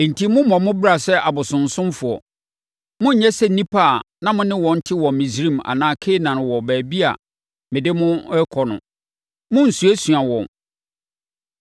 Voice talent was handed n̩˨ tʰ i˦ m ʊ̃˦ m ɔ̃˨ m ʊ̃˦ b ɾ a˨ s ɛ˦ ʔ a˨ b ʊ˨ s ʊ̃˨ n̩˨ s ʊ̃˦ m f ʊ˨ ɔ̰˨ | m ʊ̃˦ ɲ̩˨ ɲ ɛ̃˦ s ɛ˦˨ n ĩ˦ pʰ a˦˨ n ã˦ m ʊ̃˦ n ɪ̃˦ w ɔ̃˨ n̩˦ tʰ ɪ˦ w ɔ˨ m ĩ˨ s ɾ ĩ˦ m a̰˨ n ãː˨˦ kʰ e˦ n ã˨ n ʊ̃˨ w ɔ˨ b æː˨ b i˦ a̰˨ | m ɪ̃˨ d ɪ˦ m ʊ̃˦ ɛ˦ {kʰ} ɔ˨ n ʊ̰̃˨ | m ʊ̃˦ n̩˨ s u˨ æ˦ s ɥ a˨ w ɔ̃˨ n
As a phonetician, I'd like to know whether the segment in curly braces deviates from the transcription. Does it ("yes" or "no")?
no